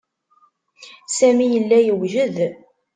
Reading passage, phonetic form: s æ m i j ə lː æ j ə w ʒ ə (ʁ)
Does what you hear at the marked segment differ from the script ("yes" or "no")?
yes